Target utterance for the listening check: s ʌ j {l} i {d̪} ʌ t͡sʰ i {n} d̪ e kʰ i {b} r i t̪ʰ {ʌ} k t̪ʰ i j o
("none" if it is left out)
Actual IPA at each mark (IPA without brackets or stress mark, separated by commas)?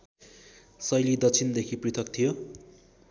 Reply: l, d̪, n, p, ʌ